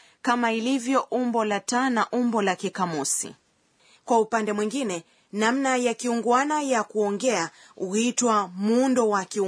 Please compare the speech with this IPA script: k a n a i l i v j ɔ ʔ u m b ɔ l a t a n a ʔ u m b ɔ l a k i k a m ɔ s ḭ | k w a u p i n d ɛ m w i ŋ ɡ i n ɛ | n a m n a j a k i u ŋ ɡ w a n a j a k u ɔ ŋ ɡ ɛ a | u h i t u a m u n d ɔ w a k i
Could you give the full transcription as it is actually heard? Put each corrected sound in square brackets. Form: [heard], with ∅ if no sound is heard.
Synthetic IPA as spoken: k a [m] a i l i v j ɔ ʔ u m b ɔ l a t a n a ʔ u m b ɔ l a k i k a m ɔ s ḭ | k w a u p [a] n d ɛ m w i ŋ ɡ i n ɛ | n a m n a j a k i u ŋ ɡ w a n a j a k u ɔ ŋ ɡ ɛ a | u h i t [w] a m u n d ɔ w a k i